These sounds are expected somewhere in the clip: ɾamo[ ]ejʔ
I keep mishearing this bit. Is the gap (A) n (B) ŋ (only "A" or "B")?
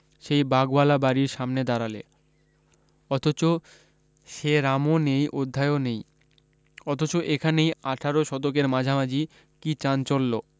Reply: A